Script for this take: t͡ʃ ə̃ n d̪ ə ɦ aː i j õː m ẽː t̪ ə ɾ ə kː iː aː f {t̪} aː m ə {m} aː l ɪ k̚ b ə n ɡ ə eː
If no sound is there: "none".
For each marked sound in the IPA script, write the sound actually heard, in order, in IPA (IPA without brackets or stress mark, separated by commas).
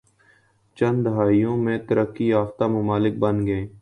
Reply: t̪, m